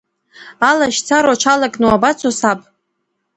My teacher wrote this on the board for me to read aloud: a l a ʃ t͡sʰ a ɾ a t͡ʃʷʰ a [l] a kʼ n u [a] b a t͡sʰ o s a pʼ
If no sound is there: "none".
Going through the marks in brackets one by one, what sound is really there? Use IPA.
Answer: l, a

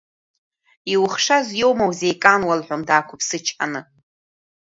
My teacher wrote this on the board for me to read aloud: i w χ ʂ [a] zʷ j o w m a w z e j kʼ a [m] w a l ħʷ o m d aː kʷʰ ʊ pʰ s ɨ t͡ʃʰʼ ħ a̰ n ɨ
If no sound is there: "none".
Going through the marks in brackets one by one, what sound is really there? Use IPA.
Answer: a, n

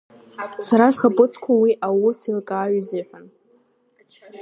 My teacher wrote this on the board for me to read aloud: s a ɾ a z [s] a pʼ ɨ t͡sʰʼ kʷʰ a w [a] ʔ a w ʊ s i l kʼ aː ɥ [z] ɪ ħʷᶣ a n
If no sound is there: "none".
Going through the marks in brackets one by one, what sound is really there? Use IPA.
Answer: χ, i, z

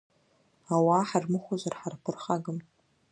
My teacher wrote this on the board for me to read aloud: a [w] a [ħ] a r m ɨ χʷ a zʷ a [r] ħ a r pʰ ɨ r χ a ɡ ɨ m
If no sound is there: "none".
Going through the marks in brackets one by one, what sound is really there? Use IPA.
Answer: w, ħ, r

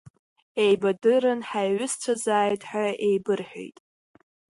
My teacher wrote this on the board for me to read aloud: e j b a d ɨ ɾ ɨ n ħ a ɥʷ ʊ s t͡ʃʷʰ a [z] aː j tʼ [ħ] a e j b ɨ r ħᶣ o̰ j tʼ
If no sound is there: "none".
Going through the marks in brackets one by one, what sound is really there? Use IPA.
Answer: z, ħ

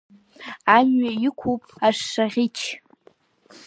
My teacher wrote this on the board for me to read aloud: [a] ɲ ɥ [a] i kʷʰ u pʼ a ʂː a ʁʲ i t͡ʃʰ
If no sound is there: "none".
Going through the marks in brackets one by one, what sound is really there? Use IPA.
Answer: a, a

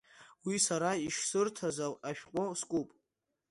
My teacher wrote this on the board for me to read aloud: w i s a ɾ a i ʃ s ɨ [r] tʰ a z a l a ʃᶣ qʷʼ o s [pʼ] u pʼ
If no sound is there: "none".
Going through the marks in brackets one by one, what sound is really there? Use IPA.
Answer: r, kʼ

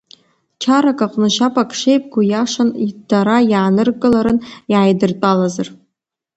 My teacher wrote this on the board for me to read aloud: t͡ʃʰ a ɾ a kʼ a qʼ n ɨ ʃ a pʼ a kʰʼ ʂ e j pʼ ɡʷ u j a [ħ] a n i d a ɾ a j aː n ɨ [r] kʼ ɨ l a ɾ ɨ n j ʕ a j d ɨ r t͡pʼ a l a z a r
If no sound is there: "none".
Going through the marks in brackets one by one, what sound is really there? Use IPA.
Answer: ʂ, r

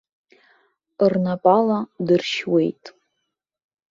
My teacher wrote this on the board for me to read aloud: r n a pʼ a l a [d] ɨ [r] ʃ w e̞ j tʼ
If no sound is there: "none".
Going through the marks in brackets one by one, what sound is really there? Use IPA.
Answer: d, r

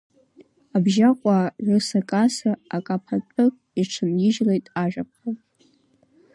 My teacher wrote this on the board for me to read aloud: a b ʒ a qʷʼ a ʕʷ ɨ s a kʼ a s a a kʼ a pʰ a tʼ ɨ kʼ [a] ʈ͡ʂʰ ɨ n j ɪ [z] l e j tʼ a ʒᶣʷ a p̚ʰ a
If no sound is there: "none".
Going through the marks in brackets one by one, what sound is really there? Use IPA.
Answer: i, ʒ

